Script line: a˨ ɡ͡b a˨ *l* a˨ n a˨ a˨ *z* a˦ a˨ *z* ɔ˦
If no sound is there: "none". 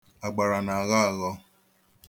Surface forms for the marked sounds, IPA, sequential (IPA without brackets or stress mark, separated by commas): ɾ, ɣ, ɣ